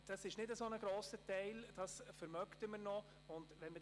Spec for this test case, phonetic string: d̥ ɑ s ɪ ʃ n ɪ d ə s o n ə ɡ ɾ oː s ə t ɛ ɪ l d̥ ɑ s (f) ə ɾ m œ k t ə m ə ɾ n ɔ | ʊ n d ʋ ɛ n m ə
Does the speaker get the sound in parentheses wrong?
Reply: no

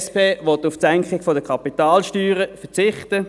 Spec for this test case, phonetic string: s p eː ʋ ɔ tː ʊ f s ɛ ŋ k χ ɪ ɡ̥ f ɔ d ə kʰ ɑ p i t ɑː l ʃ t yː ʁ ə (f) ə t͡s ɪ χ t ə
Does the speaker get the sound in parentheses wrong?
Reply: no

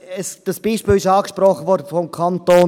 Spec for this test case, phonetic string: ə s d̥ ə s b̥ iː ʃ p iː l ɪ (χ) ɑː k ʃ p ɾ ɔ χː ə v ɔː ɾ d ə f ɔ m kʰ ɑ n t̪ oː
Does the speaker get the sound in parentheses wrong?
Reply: yes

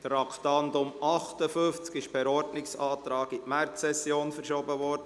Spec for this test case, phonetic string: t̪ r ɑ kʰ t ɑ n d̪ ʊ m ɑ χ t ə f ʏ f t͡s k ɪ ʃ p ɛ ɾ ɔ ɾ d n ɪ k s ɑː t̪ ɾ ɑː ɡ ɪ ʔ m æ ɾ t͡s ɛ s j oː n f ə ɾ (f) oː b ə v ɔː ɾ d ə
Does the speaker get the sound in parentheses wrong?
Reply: yes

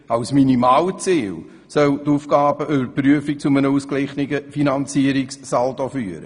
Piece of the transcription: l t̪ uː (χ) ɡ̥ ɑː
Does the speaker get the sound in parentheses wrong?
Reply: yes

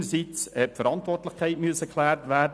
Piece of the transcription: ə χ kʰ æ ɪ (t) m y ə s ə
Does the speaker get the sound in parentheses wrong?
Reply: no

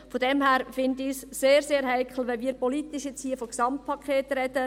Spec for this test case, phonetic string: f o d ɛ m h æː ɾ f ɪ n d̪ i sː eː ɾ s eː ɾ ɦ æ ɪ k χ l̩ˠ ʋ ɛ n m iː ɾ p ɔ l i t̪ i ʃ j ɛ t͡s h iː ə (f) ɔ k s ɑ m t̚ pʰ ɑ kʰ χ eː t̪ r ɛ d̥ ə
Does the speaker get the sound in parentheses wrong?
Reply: no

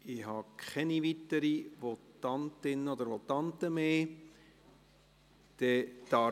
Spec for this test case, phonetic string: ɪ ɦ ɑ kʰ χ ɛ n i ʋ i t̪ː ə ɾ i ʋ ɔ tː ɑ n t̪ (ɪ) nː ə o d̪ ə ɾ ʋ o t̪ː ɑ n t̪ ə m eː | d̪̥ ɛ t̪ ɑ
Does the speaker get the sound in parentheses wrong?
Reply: no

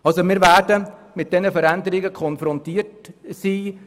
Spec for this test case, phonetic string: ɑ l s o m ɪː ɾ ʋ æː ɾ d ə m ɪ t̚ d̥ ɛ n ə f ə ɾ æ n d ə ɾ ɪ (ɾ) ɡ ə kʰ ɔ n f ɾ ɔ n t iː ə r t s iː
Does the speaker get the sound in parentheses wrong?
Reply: yes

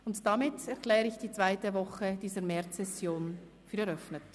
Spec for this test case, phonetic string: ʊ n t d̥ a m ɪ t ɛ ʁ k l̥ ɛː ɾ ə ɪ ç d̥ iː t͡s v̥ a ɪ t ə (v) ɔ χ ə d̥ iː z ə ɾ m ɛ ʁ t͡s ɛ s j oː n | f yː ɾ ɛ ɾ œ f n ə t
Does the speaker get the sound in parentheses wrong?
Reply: no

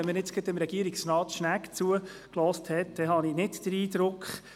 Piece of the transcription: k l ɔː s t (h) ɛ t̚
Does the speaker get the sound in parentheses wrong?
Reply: no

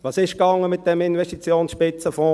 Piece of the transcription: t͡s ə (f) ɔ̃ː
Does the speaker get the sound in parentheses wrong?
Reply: no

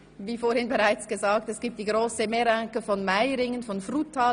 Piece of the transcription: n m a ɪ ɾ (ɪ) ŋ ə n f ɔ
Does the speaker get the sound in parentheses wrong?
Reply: no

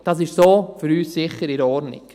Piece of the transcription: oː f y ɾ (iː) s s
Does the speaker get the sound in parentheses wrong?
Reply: yes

